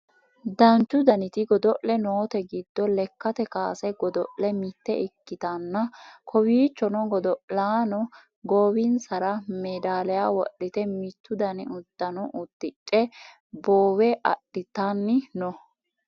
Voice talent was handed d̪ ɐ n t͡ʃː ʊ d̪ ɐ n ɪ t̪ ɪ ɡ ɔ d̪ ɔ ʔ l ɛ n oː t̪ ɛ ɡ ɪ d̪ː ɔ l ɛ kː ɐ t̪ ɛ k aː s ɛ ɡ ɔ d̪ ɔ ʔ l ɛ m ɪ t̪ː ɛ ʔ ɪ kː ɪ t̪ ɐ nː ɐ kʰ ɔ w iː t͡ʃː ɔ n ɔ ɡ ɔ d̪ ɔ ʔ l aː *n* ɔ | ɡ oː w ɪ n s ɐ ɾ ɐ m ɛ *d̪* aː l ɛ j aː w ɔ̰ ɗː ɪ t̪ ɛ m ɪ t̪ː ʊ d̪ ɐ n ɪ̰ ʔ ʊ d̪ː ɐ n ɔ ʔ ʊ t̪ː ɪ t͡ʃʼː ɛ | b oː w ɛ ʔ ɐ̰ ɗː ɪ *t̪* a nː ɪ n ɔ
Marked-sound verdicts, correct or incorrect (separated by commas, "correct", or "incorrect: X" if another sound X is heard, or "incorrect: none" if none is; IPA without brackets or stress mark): correct, correct, correct